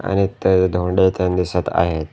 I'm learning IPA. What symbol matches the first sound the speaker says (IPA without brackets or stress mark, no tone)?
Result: a̰